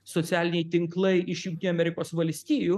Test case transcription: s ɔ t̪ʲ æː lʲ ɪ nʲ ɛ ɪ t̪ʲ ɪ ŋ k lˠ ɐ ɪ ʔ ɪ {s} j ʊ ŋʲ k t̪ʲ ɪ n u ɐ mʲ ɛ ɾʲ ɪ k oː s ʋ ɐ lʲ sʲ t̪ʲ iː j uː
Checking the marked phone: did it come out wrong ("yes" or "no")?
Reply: yes